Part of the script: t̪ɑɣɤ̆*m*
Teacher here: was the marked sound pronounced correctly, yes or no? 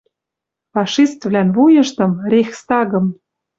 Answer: yes